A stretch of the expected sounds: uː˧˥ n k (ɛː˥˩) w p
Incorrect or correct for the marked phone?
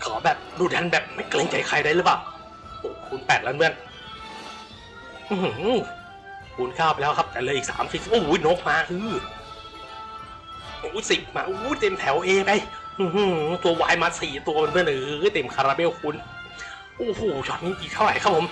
incorrect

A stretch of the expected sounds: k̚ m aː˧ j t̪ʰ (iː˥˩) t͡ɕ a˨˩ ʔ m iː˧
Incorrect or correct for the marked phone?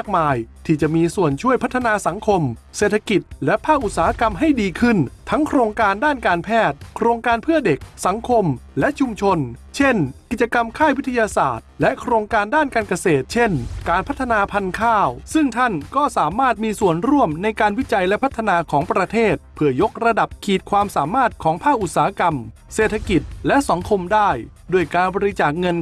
incorrect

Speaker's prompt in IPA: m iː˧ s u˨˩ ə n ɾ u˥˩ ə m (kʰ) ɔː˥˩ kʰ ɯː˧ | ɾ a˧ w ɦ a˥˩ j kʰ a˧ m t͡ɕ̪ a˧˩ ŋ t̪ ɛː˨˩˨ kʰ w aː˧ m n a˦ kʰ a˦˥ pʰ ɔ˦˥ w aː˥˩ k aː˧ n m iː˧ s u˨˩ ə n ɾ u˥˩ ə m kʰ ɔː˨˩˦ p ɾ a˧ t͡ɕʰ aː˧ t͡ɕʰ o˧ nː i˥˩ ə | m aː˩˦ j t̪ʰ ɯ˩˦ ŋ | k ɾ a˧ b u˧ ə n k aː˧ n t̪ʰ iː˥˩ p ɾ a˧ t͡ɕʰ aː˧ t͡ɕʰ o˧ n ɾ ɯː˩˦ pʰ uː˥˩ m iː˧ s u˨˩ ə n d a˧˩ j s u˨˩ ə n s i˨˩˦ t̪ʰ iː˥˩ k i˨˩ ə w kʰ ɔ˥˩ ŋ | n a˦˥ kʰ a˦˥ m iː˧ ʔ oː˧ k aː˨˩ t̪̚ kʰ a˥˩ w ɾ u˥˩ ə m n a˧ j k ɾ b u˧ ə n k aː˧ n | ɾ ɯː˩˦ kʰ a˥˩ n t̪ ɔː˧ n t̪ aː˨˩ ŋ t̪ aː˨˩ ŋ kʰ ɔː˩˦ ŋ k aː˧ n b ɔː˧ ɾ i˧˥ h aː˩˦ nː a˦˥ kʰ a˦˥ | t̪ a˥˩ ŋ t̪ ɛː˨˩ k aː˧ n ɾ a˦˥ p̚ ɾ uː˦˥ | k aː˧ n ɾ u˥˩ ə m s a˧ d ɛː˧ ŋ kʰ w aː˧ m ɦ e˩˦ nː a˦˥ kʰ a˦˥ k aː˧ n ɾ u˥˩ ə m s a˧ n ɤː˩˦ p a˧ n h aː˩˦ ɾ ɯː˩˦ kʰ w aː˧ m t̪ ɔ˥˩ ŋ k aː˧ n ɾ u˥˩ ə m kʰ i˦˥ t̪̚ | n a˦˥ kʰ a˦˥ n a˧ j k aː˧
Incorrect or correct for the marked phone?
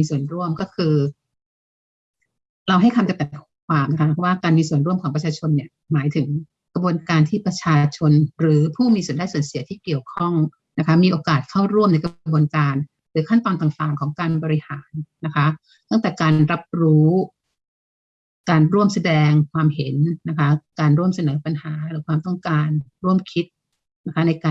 incorrect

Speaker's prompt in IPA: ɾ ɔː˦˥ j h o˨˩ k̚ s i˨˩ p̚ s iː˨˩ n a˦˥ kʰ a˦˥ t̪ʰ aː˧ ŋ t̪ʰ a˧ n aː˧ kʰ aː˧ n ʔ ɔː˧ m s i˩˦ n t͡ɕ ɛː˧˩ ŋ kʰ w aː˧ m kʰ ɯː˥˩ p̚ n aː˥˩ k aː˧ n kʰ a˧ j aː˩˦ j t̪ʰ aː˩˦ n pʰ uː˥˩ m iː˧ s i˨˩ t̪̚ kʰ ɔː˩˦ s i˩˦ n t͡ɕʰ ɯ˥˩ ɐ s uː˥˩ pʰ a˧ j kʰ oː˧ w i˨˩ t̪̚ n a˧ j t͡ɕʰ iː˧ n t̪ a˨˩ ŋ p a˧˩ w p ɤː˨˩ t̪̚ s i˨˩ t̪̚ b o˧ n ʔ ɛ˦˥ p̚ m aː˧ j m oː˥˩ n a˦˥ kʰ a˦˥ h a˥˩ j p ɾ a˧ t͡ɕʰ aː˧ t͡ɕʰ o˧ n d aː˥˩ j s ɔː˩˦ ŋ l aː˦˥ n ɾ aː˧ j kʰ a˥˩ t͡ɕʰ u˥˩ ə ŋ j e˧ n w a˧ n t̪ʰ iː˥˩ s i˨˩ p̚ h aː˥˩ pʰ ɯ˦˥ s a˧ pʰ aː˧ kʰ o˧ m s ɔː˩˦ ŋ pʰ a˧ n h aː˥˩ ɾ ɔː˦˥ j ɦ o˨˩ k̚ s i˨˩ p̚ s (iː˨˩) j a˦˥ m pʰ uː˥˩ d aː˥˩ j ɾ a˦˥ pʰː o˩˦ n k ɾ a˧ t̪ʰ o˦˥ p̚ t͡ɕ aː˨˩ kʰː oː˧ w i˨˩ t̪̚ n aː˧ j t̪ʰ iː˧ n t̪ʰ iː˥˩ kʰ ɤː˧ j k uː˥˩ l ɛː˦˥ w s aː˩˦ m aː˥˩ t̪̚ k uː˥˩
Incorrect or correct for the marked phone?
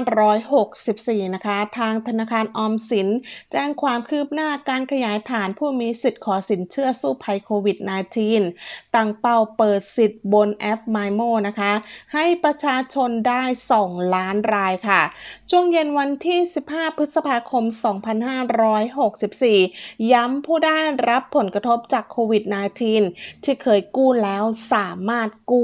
correct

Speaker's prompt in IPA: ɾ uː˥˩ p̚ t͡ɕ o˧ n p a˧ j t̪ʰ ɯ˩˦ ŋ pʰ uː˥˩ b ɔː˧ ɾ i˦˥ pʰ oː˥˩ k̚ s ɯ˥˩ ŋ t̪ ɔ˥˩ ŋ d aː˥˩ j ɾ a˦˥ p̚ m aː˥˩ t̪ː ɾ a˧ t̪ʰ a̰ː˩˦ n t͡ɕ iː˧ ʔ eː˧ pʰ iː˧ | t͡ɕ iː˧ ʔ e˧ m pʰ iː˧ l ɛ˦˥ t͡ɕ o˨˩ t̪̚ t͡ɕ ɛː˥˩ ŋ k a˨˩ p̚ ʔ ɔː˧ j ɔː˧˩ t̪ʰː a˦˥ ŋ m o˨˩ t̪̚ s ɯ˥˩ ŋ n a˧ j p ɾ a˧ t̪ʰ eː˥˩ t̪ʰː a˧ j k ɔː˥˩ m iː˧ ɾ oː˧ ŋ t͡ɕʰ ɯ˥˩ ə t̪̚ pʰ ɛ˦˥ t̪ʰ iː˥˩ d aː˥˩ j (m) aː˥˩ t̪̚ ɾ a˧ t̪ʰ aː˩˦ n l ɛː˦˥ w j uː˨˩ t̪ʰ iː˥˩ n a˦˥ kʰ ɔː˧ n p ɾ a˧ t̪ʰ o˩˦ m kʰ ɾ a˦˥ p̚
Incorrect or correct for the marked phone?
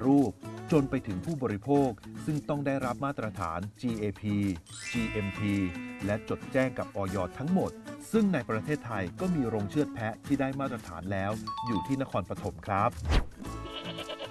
correct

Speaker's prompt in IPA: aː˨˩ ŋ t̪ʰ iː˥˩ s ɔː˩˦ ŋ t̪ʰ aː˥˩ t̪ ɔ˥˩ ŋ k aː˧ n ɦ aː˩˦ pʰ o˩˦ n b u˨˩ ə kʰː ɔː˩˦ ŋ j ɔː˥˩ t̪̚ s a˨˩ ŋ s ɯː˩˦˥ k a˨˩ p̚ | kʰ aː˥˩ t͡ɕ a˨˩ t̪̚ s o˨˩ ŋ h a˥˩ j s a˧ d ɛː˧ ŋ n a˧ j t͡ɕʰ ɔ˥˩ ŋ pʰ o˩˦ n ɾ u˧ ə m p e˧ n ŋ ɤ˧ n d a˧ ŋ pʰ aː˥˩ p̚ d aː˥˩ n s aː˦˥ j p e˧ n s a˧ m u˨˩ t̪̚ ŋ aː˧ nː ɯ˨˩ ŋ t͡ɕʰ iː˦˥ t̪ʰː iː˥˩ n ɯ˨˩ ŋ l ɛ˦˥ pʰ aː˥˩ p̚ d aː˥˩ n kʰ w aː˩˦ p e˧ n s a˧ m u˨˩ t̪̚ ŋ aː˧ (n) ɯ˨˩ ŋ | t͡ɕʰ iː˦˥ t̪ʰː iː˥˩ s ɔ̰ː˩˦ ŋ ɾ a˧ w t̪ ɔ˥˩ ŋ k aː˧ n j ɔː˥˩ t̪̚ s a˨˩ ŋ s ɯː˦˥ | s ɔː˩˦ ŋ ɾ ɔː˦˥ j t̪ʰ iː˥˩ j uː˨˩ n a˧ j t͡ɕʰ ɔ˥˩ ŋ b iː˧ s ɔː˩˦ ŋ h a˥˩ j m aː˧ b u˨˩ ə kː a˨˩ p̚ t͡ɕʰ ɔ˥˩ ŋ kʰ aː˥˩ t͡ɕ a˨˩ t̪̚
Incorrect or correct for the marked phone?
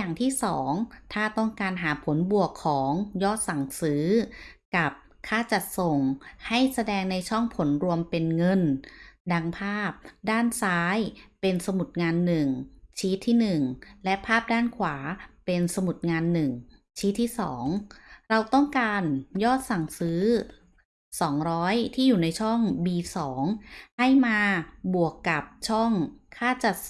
incorrect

